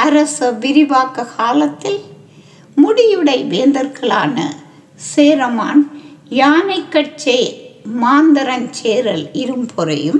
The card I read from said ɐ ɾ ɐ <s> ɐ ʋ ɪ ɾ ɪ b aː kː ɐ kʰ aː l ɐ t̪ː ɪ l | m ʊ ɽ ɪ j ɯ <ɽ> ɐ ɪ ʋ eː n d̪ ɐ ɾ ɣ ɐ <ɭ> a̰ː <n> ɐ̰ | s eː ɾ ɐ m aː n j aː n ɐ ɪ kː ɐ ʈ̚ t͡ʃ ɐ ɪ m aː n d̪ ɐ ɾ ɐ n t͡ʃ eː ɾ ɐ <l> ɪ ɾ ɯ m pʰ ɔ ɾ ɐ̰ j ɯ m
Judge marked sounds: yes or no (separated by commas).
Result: yes, yes, yes, yes, yes